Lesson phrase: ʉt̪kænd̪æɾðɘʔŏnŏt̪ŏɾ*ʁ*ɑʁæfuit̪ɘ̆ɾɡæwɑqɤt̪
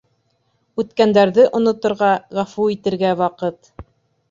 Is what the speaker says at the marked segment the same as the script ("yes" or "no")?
yes